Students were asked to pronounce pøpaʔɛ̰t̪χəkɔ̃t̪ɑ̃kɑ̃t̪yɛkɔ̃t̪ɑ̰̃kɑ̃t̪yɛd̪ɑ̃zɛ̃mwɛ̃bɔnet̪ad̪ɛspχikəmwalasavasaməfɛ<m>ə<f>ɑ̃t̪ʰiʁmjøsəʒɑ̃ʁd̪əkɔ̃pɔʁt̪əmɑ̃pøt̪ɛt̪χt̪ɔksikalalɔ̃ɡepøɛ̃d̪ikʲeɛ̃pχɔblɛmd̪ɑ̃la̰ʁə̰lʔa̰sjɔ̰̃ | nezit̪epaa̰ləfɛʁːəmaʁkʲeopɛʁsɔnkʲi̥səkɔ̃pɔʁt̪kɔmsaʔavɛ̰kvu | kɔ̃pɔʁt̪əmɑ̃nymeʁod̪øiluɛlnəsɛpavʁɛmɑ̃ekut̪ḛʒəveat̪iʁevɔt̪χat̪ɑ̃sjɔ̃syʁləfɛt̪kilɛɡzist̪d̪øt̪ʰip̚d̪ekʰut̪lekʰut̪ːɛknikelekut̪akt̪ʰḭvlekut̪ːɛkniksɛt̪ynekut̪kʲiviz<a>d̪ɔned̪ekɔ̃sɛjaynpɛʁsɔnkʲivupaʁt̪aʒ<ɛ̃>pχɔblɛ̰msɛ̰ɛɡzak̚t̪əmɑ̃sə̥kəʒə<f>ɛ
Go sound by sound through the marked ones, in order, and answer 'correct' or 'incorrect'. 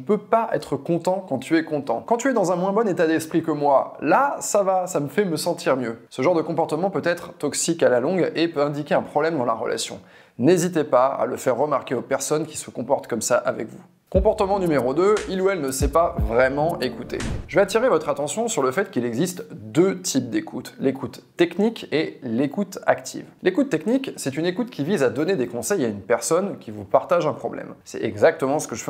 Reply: correct, incorrect: s, correct, correct, correct

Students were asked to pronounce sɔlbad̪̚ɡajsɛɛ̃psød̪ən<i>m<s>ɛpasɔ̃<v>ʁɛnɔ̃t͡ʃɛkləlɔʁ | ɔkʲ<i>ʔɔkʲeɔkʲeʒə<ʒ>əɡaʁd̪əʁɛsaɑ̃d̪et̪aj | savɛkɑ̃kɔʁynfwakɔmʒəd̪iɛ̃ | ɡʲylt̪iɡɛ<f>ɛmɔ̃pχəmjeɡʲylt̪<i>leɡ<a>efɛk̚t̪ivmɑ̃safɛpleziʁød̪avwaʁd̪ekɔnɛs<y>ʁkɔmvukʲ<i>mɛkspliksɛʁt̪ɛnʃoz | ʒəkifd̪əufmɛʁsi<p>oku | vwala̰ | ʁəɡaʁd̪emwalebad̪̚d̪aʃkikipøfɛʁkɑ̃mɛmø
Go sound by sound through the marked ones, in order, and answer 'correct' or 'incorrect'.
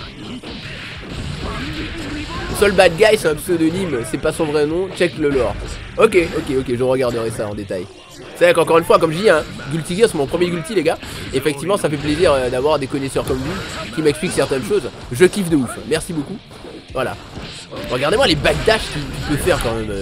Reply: correct, correct, correct, incorrect: e, incorrect: ʁ, incorrect: s, correct, correct, incorrect: œ, correct, incorrect: b

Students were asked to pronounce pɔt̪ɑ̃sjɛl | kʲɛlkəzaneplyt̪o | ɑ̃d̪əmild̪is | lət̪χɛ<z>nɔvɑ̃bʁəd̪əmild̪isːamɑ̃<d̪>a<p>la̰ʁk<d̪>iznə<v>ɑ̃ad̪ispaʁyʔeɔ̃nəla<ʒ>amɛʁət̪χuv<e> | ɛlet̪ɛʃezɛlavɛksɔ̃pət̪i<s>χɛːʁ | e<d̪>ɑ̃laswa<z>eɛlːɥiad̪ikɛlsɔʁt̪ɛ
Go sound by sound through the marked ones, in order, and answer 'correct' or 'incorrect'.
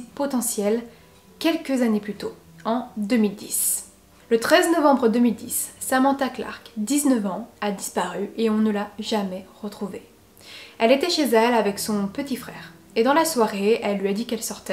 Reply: correct, incorrect: t̪, incorrect: k, correct, correct, correct, correct, incorrect: f, correct, incorrect: ʁ

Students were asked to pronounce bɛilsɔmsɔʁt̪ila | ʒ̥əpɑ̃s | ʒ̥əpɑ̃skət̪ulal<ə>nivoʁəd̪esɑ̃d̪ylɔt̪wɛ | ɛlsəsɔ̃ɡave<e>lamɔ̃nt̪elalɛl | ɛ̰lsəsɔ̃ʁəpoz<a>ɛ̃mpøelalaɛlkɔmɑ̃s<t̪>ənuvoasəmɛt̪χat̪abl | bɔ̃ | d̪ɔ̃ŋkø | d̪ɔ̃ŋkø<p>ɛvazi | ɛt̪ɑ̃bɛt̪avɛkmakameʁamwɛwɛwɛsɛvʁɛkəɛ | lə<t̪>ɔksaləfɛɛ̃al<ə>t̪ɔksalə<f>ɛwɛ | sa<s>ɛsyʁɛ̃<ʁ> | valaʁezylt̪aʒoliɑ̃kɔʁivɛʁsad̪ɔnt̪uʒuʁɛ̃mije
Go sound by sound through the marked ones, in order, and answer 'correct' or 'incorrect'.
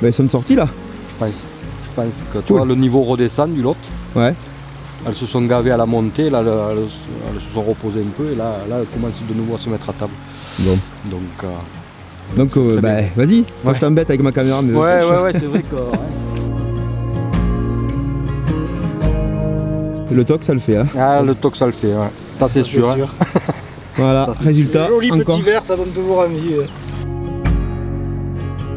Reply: correct, incorrect: a, incorrect: e, incorrect: d̪, incorrect: b, correct, correct, correct, correct, correct

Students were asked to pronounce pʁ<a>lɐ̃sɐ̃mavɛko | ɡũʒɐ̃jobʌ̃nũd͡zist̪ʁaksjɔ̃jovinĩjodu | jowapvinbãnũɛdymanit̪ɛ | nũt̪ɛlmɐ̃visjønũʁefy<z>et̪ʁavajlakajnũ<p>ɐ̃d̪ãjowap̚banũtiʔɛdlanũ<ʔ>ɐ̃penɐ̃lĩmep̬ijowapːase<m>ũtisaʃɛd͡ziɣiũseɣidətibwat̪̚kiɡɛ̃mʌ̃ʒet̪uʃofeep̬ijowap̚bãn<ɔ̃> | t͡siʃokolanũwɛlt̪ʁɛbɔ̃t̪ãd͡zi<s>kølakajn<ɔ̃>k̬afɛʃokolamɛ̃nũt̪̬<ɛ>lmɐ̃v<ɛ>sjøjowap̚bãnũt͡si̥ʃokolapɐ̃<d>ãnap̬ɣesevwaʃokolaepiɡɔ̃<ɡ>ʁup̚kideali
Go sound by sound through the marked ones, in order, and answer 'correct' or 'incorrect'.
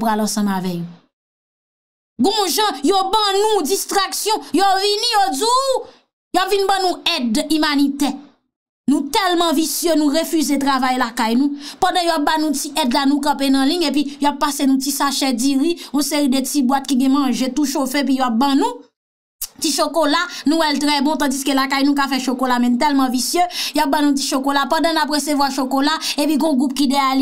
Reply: correct, correct, correct, incorrect: k, incorrect: n, incorrect: ũ, correct, incorrect: ũ, correct, incorrect: i, correct, correct

